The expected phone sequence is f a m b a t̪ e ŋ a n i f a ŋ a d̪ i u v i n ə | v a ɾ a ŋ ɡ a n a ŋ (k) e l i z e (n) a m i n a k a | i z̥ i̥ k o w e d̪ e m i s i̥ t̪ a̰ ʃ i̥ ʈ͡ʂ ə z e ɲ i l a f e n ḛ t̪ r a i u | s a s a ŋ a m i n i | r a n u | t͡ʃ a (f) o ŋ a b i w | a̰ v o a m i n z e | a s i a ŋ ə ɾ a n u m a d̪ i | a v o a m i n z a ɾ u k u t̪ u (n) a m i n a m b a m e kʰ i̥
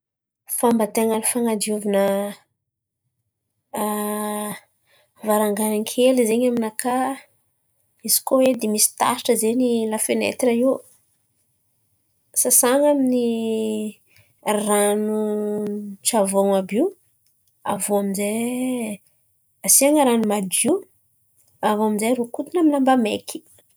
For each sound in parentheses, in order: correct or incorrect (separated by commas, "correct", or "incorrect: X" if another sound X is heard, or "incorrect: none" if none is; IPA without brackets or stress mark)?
incorrect: kʰ, incorrect: ɲ, incorrect: v, correct